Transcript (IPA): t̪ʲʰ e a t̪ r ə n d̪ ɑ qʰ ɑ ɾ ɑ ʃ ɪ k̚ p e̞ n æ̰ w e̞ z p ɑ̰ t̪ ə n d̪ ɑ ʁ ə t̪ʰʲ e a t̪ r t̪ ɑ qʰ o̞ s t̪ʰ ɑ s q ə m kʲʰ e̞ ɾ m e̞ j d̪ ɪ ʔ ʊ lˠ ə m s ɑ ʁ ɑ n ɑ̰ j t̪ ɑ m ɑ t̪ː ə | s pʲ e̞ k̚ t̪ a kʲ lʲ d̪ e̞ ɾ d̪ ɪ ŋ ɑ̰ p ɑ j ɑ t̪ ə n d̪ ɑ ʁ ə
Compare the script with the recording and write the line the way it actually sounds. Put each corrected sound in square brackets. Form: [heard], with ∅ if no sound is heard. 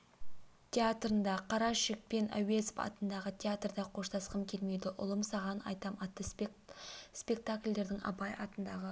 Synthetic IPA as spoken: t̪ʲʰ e a t̪ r ə n d̪ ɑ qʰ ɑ ɾ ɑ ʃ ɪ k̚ p e̞ n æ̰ w e̞ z p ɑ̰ t̪ ə n d̪ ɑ ʁ ə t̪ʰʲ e a t̪ r [d̪] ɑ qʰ o̞ [ʃ] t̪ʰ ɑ s q ə m kʲʰ e̞ [l] m e̞ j d̪ ɪ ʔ ʊ lˠ ə m s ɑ ʁ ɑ n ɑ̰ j t̪ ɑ m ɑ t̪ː ə | s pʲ e̞ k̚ t̪ a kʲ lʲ d̪ e̞ ɾ d̪ ɪ ŋ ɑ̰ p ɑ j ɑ t̪ ə n d̪ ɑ ʁ ə